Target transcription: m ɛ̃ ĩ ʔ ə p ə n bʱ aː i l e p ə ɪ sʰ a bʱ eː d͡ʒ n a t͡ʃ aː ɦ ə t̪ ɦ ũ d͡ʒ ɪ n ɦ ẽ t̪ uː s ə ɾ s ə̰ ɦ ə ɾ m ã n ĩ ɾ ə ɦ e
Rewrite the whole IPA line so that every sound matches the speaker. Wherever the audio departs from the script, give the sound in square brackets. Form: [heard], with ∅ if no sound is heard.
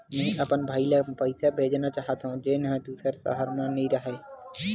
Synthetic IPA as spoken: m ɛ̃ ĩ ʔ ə p ə n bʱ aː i l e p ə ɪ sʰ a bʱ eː d͡ʒ n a t͡ʃ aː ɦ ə t̪ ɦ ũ d͡ʒ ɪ n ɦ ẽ [d̪] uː s ə ɾ s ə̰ ɦ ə ɾ m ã n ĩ ɾ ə ɦ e